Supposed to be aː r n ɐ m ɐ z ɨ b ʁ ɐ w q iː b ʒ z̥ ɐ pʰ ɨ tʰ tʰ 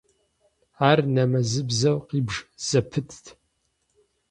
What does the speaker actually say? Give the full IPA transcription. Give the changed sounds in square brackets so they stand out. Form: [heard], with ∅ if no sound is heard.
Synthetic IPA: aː r n ɐ m ɐ z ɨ b [z] ɐ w q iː b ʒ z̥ ɐ pʰ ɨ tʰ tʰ